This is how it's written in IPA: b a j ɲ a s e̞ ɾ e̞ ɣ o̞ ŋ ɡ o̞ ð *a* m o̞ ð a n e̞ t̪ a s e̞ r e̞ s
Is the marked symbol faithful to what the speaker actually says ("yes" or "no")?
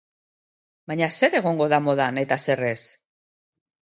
yes